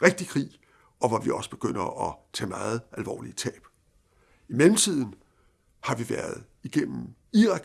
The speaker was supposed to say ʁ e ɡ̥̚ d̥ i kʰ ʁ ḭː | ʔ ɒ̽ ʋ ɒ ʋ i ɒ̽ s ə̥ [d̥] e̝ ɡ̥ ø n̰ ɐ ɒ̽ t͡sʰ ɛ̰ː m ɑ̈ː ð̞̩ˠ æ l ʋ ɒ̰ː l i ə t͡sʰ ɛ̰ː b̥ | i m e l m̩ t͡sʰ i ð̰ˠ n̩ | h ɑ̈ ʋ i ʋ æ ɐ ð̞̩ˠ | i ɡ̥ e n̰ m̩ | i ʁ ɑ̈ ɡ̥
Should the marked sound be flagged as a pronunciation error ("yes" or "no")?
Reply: yes